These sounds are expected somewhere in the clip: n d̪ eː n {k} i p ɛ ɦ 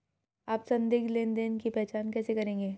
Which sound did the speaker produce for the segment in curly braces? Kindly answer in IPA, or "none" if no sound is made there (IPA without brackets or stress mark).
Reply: k